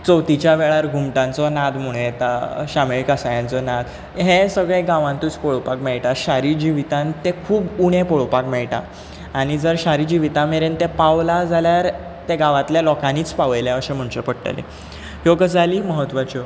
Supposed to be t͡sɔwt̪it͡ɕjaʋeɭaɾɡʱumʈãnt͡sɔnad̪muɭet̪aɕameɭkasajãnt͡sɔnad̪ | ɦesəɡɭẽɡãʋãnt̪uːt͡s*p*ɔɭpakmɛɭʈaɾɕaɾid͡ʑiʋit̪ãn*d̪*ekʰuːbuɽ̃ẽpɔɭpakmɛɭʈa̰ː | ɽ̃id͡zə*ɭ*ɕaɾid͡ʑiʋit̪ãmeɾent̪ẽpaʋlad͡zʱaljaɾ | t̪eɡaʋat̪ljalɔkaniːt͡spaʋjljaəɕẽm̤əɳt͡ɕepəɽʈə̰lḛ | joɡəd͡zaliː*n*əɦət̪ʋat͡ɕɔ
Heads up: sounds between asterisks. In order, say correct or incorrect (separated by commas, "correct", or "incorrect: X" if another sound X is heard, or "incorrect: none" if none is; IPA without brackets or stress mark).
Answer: correct, incorrect: t̪, incorrect: ɾ, incorrect: m